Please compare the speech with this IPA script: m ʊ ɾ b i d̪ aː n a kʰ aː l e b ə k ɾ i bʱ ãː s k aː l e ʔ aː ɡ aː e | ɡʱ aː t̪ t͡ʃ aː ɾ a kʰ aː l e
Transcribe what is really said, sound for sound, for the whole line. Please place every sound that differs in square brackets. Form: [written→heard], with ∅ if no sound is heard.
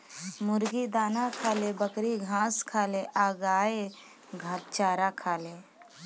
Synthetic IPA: m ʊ ɾ [b→ɡ] i d̪ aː n a kʰ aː l e b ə k ɾ i [bʱ→ɡʱ] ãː s [k→kʰ] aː l e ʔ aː ɡ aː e | ɡʱ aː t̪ t͡ʃ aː ɾ a kʰ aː l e